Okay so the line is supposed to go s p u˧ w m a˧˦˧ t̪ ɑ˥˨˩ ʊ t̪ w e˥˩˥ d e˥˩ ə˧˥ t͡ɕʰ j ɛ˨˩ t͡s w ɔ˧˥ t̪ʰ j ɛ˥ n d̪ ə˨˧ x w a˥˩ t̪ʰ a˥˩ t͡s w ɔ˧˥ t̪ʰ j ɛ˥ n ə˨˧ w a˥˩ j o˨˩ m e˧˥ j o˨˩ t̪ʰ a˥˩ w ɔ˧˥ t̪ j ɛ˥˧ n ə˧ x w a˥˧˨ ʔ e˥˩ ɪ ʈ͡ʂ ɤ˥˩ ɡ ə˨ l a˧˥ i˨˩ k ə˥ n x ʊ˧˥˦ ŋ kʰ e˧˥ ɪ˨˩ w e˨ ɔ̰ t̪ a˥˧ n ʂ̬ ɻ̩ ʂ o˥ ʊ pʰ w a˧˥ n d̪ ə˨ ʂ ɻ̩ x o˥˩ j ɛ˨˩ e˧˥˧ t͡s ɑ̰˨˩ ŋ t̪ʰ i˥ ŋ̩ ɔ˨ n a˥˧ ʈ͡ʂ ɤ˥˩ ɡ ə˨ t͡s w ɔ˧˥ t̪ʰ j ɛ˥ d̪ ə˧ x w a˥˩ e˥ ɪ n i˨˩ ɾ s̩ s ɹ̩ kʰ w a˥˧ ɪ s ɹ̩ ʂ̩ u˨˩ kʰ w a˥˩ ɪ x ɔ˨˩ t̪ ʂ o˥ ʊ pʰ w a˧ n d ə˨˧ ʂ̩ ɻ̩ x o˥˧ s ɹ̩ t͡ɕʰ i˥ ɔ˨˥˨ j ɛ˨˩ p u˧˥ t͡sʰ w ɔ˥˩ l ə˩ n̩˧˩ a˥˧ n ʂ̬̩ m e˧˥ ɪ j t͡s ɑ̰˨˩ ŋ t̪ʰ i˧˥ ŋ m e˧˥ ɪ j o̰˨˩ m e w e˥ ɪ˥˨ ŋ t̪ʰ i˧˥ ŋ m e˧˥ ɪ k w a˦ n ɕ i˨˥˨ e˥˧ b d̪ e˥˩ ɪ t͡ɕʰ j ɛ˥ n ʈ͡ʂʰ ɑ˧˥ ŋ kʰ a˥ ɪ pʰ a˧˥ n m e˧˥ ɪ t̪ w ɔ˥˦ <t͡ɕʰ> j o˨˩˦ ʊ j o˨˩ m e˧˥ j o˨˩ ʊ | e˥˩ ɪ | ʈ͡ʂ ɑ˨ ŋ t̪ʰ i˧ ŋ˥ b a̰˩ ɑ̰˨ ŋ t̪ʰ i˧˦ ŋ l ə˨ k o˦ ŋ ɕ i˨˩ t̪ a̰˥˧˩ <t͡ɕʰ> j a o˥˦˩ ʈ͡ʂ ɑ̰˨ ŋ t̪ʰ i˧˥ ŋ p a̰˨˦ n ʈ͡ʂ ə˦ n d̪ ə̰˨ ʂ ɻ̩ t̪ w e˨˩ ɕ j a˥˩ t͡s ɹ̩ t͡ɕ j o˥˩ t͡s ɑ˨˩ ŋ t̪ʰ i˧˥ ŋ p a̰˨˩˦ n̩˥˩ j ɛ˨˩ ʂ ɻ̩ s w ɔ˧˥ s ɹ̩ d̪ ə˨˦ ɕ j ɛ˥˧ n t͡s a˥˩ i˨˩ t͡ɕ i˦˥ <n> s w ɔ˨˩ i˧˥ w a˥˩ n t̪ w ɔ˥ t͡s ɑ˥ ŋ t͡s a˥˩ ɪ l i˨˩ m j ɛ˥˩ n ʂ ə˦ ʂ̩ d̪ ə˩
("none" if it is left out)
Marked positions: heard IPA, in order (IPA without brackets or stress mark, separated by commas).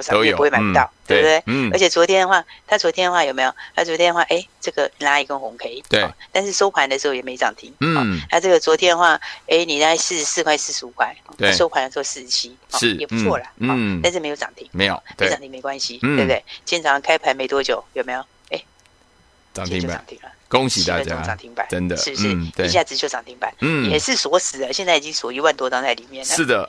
t͡ɕ, t͡ɕ, ŋ